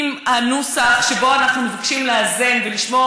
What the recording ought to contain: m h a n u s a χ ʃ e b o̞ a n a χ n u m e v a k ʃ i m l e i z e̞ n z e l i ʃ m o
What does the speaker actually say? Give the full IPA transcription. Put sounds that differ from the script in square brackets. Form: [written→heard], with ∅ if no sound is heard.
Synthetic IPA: m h a n u s a χ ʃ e b o̞ a n a χ n u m e v a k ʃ i m l e [i→a] z e̞ n [z→v] e l i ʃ m o